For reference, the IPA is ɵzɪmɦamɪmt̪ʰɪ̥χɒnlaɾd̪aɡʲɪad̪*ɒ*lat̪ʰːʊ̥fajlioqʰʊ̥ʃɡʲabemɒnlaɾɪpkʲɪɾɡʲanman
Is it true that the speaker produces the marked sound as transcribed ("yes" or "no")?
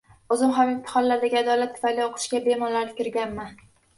yes